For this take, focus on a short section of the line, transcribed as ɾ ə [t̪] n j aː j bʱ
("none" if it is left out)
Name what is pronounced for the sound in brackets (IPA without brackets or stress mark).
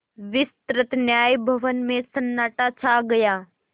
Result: t̪